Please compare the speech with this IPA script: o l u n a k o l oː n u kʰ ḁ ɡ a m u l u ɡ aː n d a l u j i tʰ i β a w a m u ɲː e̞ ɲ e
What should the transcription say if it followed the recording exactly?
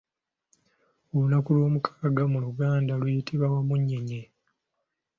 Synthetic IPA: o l u n a k u l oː m u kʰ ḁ ɡ a m u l u ɡ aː n d a l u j i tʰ i β a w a m u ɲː e̞ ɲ e